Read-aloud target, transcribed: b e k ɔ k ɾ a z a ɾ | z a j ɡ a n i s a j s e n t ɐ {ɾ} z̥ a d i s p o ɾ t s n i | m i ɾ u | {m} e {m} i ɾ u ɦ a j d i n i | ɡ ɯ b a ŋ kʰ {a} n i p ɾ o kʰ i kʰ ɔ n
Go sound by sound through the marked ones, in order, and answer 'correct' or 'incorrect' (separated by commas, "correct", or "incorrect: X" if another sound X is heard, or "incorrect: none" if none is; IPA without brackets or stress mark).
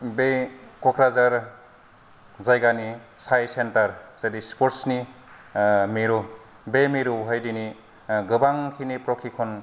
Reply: correct, incorrect: b, correct, incorrect: i